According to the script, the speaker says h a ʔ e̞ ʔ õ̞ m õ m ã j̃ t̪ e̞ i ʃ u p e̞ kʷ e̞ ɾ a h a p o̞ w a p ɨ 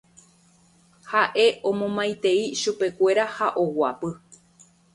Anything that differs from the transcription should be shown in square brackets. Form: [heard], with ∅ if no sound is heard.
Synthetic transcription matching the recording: h a ʔ e̞ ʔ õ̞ m õ m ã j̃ t̪ e̞ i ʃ u p e̞ kʷ e̞ ɾ a h a [ʔ] o̞ w a p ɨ